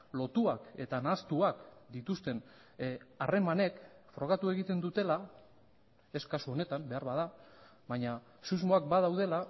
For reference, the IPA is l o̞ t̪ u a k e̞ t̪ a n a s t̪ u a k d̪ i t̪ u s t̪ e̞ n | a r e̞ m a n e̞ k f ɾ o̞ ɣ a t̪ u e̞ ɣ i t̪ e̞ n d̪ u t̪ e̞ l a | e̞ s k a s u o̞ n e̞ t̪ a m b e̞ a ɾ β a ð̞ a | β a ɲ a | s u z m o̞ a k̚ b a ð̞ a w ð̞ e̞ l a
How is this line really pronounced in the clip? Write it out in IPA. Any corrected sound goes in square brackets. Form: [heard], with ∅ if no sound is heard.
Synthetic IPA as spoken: l o̞ t̪ u a k e̞ t̪ a n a s t̪ u a k d̪ i t̪ u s t̪ e̞ n | a r e̞ m a n e̞ k f ɾ o̞ ɣ a t̪ u e̞ ɣ i t̪ e̞ n d̪ u t̪ e̞ l a | e̞ s k a s u o̞ n e̞ t̪ a m b e̞ a ɾ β a ð̞ a | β a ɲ a | s u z m o̞ a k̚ b a ð̞ a w ð̞ e̞ l a